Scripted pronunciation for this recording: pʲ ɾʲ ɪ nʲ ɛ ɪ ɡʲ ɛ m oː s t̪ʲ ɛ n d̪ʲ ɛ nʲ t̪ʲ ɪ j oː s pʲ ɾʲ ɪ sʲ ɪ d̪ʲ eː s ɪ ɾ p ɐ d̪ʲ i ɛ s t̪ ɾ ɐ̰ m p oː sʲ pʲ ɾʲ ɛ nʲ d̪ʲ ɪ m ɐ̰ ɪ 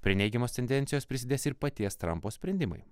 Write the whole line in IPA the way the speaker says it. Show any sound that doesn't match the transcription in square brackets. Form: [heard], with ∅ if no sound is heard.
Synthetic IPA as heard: pʲ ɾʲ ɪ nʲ ɛ ɪ ɡʲ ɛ m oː s t̪ʲ ɛ n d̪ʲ ɛ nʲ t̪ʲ ɪ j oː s pʲ ɾʲ ɪ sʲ ɪ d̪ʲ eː s ɪ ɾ p ɐ [t̪ʲ] i ɛ s t̪ ɾ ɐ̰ m p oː sʲ pʲ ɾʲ ɛ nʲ d̪ʲ ɪ m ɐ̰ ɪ